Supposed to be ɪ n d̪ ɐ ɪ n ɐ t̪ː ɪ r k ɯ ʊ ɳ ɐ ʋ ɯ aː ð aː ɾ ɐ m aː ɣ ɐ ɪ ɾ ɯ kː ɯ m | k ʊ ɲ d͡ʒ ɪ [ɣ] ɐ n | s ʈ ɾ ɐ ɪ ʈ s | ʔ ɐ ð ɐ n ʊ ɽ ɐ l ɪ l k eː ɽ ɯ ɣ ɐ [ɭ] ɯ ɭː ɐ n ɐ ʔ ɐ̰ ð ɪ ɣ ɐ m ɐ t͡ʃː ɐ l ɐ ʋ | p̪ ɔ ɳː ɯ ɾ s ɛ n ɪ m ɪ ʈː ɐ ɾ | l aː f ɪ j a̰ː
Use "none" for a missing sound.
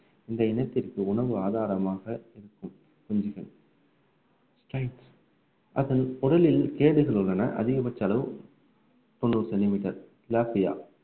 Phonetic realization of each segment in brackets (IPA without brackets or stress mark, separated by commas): ɣ, ɭ